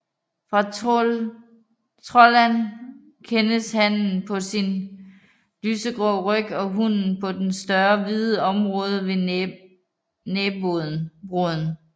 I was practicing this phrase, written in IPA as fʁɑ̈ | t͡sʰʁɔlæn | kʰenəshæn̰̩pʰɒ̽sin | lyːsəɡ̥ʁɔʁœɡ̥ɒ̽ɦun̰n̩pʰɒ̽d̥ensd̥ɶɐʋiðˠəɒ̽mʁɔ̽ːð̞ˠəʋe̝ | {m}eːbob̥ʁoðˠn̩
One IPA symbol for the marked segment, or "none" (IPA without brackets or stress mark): n